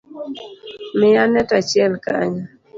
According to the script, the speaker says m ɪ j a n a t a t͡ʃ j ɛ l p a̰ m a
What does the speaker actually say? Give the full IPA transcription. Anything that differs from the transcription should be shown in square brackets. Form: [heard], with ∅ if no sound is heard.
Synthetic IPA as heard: m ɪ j a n [ɛ] t a t͡ʃ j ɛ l [k] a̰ [ɲ] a